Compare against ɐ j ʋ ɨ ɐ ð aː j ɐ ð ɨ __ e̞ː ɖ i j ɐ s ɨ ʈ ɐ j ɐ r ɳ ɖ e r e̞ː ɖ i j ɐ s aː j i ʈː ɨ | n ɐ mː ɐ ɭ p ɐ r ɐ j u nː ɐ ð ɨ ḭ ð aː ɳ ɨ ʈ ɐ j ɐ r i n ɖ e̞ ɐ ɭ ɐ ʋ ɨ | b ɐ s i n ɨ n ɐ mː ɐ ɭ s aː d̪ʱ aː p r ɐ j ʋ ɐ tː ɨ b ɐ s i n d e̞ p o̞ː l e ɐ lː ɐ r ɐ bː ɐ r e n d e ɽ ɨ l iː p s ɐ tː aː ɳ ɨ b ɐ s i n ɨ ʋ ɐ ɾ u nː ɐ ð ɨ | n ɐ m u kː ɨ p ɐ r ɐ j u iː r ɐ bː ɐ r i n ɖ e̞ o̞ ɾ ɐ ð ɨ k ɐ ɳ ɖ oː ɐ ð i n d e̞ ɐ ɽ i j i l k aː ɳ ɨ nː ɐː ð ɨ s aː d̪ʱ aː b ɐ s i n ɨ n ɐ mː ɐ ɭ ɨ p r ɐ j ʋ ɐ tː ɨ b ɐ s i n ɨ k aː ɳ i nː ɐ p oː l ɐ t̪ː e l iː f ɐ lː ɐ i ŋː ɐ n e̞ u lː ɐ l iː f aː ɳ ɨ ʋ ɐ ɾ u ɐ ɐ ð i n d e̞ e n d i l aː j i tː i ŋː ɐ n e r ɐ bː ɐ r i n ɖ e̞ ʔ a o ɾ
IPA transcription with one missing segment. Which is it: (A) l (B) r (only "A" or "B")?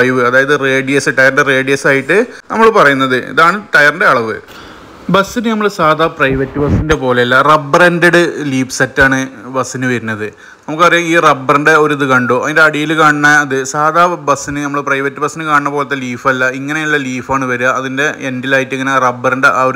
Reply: B